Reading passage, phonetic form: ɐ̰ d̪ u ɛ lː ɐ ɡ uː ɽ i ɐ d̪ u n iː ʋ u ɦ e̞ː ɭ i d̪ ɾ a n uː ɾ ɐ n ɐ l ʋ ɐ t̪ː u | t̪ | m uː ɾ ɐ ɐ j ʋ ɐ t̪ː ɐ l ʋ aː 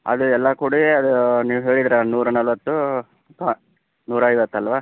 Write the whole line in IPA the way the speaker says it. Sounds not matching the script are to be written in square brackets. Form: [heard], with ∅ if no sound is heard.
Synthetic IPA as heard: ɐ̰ d̪ u ɛ lː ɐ [k] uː ɽ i ɐ d̪ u n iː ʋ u ɦ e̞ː ɭ i d̪ ɾ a n uː ɾ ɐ n ɐ l ʋ ɐ t̪ː u | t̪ | [n] uː ɾ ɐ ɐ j ʋ ɐ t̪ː ɐ l ʋ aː